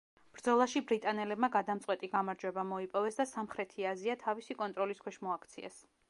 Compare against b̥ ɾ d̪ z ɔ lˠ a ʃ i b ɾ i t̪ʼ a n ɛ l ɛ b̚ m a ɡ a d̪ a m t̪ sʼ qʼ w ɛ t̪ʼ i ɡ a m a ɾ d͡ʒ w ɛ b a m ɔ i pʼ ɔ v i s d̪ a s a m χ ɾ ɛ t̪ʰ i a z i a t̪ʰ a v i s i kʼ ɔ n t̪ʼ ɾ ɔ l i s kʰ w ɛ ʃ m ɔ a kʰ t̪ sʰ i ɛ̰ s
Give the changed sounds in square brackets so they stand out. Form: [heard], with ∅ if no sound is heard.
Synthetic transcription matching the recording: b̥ ɾ d̪ z ɔ lˠ a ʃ i b ɾ i t̪ʼ a n ɛ l ɛ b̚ m a ɡ a d̪ a m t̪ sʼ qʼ w ɛ t̪ʼ i ɡ a m a ɾ d͡ʒ w ɛ b a m ɔ i pʼ ɔ v [ɛ] s d̪ a s a m χ ɾ ɛ t̪ʰ i a z i a t̪ʰ a v i s i kʼ ɔ n t̪ʼ ɾ ɔ l i s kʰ w ɛ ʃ m ɔ a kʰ t̪ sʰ i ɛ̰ s